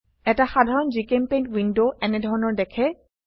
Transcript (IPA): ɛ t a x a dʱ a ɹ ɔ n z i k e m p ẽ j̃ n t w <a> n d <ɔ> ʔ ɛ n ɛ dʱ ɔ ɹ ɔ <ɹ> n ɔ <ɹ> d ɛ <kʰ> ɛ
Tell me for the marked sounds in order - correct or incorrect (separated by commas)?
incorrect, incorrect, incorrect, correct, correct